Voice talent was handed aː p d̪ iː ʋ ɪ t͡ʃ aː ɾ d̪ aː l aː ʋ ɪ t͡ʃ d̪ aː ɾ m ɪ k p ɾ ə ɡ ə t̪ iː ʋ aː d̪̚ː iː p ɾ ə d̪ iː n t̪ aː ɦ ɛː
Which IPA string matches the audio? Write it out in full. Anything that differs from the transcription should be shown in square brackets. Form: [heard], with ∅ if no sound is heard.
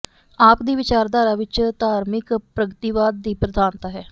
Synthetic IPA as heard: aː p d̪ iː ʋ ɪ t͡ʃ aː ɾ d̪ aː [ɾ] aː ʋ ɪ t͡ʃ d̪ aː ɾ m ɪ k p ɾ ə ɡ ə t̪ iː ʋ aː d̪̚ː iː p ɾ ə d̪ [aː] n t̪ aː ɦ ɛː